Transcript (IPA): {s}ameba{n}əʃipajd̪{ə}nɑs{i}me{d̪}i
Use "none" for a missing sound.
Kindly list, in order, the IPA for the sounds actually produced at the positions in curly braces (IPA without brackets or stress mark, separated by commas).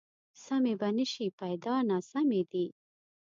s, n, ɑ, a, d̪